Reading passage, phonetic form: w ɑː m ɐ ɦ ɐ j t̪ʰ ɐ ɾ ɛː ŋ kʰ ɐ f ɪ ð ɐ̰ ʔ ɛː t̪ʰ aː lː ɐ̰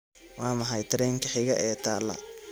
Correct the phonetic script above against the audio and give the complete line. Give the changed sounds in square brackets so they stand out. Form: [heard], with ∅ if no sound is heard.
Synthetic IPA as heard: w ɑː m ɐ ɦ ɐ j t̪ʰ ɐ ɾ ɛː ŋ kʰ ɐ [ħ] ɪ [ɣ] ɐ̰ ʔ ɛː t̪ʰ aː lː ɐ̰